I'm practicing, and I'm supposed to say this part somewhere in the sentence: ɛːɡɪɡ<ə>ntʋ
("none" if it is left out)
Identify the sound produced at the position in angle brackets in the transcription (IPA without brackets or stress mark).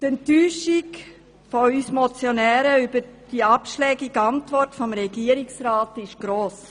ɑ